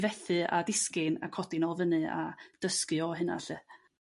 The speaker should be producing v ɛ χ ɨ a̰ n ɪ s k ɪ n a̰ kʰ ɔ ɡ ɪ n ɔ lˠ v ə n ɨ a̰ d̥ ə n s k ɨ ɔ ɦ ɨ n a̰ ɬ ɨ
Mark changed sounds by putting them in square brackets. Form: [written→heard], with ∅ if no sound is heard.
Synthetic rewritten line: v ɛ [χ→θ] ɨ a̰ [n→d] ɪ s k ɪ n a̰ kʰ ɔ [ɡ→d] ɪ n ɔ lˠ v ə n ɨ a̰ d̥ ə [n→∅] s k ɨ ɔ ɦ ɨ n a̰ ɬ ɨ